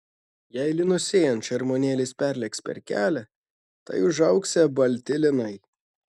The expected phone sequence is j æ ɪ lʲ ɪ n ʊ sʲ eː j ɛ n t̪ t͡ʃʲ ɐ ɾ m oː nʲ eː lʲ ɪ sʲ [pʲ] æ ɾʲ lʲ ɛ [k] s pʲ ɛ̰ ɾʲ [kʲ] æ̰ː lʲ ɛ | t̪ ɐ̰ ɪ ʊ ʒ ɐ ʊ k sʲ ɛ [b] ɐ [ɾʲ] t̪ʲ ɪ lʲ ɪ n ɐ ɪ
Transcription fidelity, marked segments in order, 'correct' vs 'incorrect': correct, correct, correct, correct, incorrect: lʲ

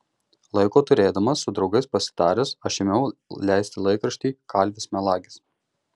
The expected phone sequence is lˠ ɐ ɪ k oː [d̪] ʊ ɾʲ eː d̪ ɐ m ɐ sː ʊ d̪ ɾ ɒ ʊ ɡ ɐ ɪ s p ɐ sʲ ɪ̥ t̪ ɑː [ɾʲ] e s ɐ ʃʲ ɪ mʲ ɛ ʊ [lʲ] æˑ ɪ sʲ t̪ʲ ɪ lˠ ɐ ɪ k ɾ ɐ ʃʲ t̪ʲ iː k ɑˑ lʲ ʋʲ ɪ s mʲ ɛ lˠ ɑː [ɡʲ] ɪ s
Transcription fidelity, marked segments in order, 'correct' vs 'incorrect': incorrect: t̪, correct, correct, correct

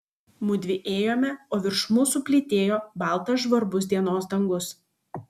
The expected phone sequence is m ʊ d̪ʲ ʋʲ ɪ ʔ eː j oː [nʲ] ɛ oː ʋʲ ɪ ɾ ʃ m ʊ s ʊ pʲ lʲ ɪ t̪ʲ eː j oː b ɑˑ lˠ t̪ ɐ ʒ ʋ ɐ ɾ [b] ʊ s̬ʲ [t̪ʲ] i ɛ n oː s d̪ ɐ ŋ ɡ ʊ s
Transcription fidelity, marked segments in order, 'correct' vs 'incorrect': incorrect: mʲ, correct, incorrect: d̪ʲ

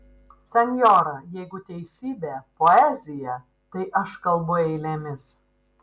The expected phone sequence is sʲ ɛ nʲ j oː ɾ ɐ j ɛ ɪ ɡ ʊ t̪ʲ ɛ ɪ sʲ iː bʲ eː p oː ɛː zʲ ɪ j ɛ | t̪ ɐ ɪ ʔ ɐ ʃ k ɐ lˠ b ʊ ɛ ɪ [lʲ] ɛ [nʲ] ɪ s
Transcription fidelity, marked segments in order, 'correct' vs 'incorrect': correct, incorrect: mʲ

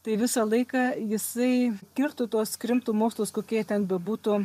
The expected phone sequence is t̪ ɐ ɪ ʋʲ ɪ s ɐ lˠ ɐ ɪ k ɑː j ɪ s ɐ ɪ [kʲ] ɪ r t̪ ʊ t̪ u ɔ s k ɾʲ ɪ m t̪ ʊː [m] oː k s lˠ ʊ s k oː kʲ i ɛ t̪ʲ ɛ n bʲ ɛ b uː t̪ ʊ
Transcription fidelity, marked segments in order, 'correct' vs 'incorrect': correct, correct

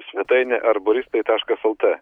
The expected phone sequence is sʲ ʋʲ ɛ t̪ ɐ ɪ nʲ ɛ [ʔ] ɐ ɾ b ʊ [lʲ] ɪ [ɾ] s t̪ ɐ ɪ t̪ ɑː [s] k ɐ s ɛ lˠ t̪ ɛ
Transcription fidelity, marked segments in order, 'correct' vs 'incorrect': correct, incorrect: ɾʲ, incorrect: none, incorrect: ʃ

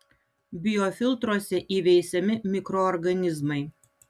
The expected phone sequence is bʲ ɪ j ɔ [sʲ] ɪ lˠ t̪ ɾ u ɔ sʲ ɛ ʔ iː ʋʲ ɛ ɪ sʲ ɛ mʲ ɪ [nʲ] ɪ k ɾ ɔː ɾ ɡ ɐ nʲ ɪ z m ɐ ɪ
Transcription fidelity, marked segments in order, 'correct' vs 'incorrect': incorrect: fʲ, incorrect: mʲ

